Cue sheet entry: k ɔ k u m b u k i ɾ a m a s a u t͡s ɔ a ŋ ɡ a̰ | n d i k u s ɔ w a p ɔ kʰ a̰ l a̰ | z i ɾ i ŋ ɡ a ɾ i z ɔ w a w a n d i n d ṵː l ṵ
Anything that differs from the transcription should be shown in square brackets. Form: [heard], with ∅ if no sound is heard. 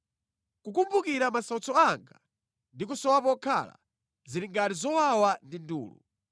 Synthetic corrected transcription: k [u] k u m b u k i ɾ a m a s a u t͡s ɔ a ŋ ɡ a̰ | n d i k u s ɔ w a p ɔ kʰ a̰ l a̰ | z i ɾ i ŋ ɡ a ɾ i z ɔ w a w a n d i n d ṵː l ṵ